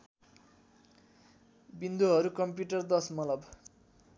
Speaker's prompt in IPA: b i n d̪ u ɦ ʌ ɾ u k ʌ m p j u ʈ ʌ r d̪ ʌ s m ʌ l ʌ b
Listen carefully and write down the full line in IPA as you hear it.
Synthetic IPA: b i n d̪ u ɦ ʌ ɾ u k ʌ m p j u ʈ ʌ r d̪ ʌ s m ʌ l ʌ b